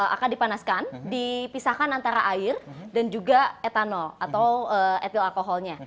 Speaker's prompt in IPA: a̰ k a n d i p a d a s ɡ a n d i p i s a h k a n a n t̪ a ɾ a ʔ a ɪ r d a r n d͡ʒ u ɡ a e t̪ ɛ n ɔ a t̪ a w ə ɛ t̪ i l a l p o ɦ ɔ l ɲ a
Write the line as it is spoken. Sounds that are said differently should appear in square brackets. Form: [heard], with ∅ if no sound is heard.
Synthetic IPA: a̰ k a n d i p a [n] a s [k] a n d i p i s a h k a n a n t̪ a ɾ a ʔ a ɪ r d a [∅] n d͡ʒ u ɡ a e t̪ [a] n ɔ a t̪ a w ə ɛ t̪ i l a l [k] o ɦ ɔ l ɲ a